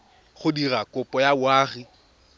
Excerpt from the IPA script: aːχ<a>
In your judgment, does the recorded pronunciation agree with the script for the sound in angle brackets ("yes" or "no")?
no